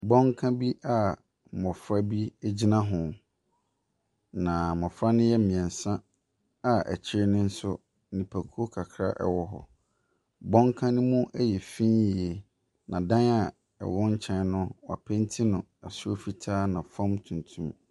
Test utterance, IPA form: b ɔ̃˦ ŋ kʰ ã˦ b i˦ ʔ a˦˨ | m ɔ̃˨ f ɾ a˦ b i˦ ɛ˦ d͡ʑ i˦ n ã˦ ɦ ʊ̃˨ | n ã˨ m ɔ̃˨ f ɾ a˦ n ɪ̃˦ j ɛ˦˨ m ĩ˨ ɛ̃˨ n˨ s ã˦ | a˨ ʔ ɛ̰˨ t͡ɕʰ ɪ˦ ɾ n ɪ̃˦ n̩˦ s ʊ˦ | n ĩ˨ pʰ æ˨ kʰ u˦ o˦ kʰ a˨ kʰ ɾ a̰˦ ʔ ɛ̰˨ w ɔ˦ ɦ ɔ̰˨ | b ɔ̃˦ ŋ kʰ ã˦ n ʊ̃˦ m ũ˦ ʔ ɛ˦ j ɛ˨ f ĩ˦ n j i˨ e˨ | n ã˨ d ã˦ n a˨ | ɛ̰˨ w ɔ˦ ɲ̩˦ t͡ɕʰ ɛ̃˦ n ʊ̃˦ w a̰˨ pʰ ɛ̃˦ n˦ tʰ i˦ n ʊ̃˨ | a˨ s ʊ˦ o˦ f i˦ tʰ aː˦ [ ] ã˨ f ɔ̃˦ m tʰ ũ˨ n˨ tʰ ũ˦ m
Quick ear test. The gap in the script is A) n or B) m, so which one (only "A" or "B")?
A